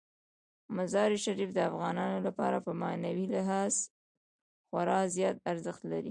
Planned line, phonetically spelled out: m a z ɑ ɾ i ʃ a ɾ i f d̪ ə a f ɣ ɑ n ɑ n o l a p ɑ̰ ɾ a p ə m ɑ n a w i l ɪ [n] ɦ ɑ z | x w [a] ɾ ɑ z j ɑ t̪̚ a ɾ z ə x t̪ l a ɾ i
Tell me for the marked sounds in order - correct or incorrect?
incorrect: none, correct

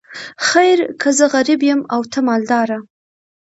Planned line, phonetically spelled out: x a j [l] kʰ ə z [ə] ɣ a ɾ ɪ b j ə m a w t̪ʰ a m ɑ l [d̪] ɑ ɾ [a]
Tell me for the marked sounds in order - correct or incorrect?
incorrect: ɾ, correct, correct, correct

